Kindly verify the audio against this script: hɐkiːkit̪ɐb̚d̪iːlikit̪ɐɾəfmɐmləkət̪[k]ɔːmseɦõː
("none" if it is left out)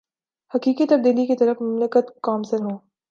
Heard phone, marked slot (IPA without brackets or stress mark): k